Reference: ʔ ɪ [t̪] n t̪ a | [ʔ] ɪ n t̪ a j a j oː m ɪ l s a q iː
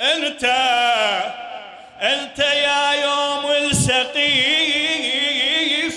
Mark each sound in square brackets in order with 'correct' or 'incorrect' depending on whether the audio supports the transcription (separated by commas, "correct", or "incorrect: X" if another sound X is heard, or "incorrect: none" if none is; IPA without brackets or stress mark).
incorrect: none, correct